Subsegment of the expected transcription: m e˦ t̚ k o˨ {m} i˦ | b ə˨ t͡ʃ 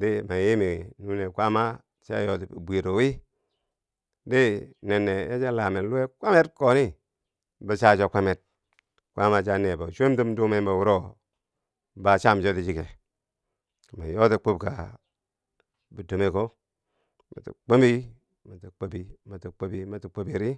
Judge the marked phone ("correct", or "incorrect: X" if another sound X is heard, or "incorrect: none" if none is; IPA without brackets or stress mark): incorrect: n